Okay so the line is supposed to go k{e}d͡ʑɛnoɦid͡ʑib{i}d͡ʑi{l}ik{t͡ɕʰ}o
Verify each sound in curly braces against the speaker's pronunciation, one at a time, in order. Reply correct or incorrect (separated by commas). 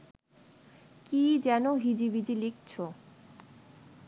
incorrect, correct, correct, correct